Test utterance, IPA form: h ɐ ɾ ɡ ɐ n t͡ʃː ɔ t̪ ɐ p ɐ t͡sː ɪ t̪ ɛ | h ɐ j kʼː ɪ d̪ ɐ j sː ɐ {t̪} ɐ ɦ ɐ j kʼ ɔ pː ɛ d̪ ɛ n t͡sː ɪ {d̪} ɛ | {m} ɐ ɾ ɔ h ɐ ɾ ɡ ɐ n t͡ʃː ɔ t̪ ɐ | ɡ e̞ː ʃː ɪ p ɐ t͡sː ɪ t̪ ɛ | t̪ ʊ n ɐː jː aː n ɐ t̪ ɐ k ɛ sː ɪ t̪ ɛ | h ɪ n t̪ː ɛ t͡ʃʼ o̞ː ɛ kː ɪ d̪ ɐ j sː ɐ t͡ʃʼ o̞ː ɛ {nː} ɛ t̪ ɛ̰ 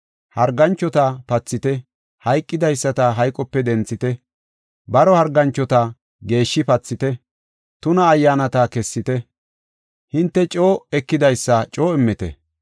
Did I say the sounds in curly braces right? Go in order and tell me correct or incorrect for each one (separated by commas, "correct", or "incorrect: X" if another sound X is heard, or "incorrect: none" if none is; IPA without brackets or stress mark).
correct, incorrect: t̪, incorrect: b, incorrect: mː